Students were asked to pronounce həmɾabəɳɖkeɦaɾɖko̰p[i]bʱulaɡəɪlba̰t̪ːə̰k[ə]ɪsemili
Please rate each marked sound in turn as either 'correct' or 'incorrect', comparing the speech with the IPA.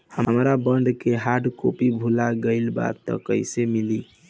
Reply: correct, correct

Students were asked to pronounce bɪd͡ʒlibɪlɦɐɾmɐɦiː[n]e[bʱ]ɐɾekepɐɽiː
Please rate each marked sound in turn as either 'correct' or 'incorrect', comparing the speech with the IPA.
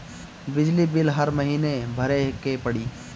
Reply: correct, correct

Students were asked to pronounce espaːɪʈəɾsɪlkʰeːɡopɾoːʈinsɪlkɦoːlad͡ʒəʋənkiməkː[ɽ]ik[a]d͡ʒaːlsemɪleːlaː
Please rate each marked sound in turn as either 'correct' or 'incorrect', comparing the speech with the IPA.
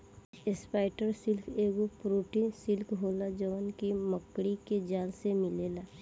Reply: correct, incorrect: e

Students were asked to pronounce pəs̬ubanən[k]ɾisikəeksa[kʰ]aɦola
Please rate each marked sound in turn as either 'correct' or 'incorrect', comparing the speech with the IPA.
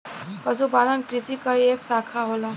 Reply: correct, correct

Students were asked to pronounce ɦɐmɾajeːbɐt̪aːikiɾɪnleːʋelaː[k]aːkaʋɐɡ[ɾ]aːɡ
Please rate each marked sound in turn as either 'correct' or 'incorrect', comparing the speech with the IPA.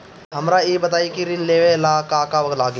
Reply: correct, incorrect: l

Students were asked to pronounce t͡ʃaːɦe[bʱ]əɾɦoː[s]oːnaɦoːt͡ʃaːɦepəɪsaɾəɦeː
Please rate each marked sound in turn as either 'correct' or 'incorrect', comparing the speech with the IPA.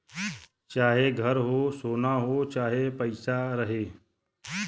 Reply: incorrect: ɡʱ, correct

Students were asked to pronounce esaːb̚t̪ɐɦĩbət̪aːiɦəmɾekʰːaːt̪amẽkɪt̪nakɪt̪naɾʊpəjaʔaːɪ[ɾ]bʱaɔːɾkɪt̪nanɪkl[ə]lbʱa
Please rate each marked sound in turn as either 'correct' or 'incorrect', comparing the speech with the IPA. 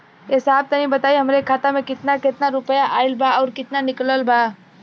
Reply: incorrect: l, correct

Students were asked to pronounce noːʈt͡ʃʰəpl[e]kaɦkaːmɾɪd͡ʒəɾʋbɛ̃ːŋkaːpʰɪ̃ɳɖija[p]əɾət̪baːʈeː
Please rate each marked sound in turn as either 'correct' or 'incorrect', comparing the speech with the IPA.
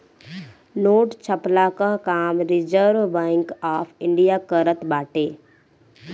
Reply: incorrect: a, incorrect: k

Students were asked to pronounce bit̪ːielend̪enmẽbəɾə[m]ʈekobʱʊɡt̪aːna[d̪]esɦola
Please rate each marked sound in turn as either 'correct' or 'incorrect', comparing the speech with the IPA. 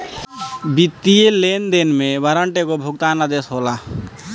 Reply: incorrect: ɳ, correct

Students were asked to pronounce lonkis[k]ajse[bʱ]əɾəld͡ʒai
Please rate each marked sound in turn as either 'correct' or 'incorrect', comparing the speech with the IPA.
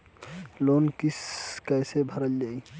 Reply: correct, correct

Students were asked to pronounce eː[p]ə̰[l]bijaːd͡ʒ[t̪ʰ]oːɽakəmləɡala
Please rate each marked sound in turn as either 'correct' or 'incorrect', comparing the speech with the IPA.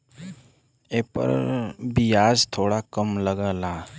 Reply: correct, incorrect: ɾ, correct

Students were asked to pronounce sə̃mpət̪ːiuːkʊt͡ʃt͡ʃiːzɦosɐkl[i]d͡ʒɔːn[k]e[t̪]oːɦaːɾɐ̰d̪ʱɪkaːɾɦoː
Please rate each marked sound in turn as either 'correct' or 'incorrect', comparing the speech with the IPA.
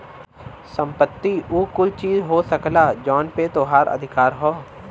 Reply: incorrect: a, incorrect: p, correct

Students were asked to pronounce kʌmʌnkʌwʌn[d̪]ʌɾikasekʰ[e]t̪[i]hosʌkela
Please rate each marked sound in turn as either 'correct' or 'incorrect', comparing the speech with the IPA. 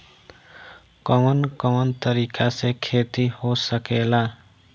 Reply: incorrect: t̪, correct, correct

